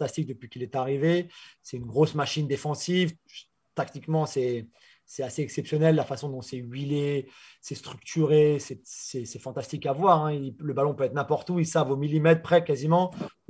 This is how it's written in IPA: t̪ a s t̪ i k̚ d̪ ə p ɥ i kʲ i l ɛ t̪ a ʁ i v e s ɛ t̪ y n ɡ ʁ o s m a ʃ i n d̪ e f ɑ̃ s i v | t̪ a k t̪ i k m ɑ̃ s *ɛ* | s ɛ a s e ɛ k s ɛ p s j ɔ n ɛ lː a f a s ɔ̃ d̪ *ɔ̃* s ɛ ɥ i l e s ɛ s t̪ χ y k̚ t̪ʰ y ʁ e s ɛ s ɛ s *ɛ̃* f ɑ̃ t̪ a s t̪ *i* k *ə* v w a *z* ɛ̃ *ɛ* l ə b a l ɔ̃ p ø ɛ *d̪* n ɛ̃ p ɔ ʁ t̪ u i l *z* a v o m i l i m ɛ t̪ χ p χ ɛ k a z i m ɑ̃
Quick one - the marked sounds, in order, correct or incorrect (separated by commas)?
correct, correct, incorrect, correct, incorrect, incorrect, incorrect, incorrect, incorrect